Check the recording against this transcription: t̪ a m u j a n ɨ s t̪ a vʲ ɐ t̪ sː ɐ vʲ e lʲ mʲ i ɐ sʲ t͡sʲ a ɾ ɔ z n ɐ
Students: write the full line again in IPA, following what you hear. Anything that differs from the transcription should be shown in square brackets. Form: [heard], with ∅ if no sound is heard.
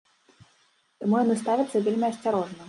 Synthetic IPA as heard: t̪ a m u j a n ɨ s t̪ a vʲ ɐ t̪ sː ɐ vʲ e lʲ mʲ i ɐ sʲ t͡sʲ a ɾ ɔ [ʐ] n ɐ